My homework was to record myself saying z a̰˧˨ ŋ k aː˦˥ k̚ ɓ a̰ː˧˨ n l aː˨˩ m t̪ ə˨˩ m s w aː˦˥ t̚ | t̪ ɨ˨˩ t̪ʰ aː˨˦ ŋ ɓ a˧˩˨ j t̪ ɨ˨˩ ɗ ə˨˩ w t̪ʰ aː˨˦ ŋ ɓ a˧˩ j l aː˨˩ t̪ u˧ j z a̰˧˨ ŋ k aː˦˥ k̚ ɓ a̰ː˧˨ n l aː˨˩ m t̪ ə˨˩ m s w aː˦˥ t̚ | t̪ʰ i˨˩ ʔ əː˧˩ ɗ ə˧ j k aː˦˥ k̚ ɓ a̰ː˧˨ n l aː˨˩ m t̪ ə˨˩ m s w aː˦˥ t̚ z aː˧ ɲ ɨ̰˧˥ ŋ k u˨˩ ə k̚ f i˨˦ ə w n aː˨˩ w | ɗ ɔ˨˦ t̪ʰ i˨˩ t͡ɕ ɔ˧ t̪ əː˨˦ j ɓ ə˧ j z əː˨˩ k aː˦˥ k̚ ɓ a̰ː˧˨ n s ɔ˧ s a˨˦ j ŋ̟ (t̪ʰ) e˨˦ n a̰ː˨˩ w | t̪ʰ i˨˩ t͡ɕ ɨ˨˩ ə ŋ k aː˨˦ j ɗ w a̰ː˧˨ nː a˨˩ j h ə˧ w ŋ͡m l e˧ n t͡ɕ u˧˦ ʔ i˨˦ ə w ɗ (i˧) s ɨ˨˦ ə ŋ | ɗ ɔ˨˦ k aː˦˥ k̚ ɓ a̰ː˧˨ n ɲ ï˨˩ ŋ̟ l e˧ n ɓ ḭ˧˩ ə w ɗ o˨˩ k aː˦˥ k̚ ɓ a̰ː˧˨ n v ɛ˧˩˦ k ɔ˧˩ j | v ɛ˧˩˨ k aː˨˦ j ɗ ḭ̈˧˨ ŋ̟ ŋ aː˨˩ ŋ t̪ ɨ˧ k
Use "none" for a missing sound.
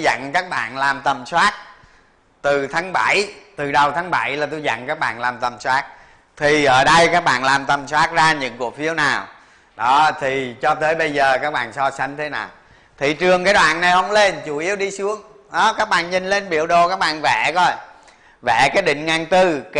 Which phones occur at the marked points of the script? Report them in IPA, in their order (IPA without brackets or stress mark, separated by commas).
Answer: t̪ʰ, i˧